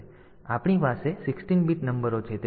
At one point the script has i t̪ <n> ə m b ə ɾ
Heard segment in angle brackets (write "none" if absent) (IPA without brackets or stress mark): n